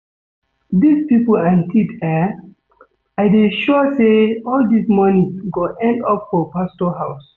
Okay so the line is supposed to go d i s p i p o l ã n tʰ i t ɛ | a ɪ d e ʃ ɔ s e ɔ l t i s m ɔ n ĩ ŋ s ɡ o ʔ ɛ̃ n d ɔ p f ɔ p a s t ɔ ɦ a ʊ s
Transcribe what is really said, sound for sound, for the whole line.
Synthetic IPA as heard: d i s p i p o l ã n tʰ i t ɛ | a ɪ d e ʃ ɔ s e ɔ l d i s m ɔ n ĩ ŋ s ɡ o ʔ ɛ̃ n d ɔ p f ɔ p a s t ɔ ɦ a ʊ s